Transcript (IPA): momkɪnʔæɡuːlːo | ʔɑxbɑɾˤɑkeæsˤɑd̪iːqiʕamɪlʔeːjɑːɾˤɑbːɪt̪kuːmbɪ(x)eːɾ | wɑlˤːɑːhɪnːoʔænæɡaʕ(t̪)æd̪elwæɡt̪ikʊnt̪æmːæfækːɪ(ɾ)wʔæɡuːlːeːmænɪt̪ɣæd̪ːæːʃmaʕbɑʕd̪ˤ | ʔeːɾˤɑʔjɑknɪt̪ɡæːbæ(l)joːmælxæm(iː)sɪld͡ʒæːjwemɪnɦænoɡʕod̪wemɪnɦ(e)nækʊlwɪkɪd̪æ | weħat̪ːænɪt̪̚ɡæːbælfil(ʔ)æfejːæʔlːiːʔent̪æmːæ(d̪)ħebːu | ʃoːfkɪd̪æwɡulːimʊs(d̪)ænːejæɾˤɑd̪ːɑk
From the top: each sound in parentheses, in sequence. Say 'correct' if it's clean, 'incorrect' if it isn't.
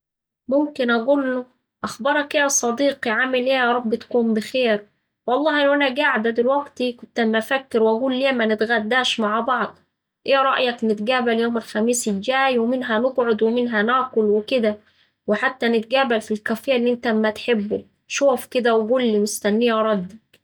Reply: correct, incorrect, correct, correct, correct, incorrect, incorrect, incorrect, incorrect

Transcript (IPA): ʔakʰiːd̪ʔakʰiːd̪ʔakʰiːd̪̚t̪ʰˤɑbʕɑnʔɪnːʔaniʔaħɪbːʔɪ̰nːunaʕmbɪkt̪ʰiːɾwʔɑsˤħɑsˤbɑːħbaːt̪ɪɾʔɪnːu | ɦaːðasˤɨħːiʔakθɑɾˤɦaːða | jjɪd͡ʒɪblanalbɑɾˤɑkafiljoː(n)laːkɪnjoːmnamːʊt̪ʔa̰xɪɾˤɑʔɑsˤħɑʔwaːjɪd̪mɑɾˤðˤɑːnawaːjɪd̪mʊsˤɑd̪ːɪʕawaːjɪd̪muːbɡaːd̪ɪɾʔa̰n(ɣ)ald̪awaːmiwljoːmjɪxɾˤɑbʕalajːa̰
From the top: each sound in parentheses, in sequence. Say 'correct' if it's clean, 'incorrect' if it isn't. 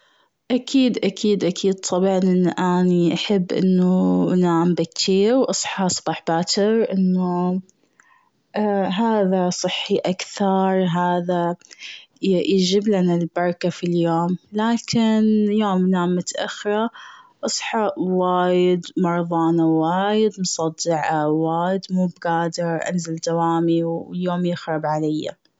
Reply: incorrect, incorrect

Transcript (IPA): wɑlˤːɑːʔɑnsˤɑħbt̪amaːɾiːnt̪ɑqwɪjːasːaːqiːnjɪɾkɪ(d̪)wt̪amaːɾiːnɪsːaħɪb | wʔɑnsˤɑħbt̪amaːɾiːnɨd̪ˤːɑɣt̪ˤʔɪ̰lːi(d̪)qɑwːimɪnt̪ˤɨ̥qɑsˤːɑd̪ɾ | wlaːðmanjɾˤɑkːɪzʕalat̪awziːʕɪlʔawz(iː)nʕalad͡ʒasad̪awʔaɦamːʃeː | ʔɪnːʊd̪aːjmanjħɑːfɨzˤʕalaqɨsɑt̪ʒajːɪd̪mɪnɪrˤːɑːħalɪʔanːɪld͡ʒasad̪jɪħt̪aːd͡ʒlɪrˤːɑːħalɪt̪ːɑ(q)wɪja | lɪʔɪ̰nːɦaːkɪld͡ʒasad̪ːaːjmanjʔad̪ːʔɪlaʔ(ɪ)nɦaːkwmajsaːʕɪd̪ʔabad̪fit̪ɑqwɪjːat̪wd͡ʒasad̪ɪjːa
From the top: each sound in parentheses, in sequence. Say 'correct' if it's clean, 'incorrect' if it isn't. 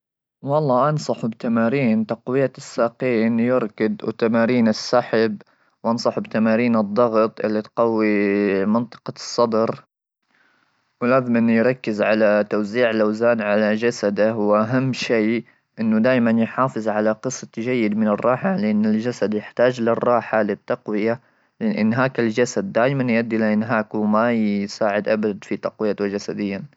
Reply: correct, incorrect, incorrect, correct, correct

